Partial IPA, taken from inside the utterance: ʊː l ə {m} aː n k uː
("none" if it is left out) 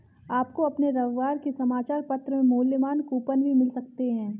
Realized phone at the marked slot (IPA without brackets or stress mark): m